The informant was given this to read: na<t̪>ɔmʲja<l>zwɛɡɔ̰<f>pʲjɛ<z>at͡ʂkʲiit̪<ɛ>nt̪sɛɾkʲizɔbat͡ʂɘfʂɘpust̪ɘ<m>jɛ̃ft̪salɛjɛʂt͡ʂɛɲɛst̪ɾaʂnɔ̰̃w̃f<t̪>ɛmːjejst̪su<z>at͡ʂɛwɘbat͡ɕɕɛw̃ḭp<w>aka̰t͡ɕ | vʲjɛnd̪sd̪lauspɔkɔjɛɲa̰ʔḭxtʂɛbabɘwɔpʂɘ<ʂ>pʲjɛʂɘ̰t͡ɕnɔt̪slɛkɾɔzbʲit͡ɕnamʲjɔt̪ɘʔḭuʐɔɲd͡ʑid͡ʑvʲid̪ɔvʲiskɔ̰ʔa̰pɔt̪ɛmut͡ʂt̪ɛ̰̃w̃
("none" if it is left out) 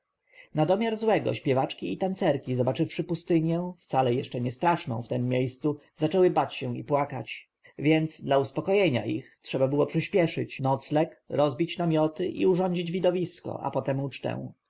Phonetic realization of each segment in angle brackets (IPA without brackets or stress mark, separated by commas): d̪, ɾ, ɕ, v, a, ɲ, t̪, z, w, ɕ